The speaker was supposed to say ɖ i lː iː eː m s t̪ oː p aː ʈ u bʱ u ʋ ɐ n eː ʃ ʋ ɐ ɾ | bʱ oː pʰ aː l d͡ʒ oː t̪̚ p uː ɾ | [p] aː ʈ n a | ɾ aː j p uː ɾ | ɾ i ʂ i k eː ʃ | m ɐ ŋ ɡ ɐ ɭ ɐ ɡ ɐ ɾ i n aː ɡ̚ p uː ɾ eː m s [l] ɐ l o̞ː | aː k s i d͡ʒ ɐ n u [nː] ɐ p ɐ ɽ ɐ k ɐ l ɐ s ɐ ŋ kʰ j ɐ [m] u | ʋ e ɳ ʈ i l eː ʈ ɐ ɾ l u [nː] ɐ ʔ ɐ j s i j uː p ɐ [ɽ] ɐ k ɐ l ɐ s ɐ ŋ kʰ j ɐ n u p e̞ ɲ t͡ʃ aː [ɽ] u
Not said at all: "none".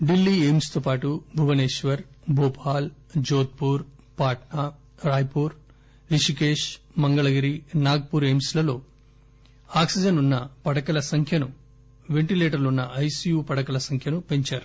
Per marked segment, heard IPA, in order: p, l, nː, n, nː, ɽ, ɾ

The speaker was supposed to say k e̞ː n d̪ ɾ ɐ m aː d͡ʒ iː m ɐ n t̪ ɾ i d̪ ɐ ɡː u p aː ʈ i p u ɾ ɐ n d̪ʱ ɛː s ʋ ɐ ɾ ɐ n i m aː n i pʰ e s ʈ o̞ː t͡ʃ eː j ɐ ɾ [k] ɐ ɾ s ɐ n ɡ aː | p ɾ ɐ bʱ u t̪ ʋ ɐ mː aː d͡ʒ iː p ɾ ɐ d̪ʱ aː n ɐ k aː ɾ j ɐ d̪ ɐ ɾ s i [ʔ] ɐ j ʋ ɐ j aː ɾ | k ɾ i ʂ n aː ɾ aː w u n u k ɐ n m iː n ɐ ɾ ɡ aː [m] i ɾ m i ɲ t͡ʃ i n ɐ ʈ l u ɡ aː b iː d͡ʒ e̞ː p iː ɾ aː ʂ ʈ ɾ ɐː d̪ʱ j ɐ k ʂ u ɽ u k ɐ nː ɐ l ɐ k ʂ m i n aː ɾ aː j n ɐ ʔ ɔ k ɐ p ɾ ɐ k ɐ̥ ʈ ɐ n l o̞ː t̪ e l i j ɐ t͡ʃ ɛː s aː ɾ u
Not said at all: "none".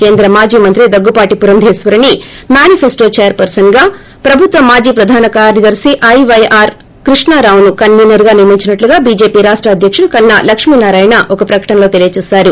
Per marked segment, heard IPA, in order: p, ʔ, n

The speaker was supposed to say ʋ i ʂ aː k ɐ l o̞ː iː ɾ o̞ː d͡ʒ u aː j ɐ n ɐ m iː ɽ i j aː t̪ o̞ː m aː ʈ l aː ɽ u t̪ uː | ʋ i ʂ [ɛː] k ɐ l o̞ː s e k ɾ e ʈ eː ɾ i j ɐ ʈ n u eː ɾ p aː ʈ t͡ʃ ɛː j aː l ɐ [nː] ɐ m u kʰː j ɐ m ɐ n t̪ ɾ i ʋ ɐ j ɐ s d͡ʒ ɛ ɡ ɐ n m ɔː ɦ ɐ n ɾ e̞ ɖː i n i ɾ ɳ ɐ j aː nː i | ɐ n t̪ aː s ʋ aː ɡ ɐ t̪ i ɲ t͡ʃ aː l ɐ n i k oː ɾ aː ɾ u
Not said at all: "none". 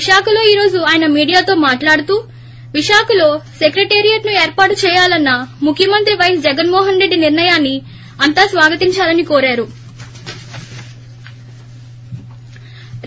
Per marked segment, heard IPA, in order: aː, nː

